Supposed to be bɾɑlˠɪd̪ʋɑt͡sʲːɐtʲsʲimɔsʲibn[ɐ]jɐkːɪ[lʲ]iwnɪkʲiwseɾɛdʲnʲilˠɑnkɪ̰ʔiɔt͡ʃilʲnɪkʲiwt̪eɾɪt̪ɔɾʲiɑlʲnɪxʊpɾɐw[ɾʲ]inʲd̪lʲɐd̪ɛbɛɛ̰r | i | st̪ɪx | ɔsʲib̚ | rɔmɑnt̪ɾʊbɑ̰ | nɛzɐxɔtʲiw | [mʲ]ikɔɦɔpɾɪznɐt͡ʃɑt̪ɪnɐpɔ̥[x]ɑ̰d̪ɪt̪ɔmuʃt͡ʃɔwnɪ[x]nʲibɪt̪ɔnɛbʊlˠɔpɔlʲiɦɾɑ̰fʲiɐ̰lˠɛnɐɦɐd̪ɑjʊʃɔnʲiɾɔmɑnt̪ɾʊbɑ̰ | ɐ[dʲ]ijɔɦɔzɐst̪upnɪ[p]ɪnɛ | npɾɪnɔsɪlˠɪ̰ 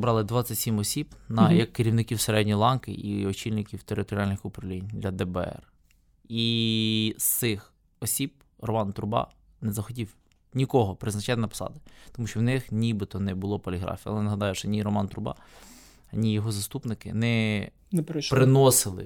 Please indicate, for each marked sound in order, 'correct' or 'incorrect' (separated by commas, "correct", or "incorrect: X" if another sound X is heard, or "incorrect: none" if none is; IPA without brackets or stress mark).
correct, incorrect: ɾʲ, incorrect: lʲ, incorrect: nʲ, incorrect: s, correct, incorrect: nʲ, incorrect: k